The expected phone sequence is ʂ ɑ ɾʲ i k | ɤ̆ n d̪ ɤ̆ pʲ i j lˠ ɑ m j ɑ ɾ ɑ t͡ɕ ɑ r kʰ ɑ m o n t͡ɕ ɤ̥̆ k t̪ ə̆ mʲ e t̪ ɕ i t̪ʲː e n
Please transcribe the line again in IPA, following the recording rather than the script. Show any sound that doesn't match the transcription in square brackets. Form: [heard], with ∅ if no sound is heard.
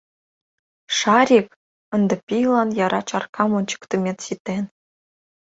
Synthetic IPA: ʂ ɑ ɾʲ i k | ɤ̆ n d̪ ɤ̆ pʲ i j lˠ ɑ [n] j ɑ ɾ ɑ t͡ɕ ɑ r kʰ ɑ m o n t͡ɕ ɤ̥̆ k t̪ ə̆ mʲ e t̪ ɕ i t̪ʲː e n